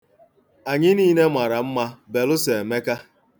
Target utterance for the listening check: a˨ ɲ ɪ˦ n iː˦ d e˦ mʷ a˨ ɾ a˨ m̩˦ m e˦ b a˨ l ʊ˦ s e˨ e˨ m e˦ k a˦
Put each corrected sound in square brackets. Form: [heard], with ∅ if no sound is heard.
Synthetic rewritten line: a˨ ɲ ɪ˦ n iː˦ [n] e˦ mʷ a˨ ɾ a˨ m̩˦ m [a˦] b [e˨] l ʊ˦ s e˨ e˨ m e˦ k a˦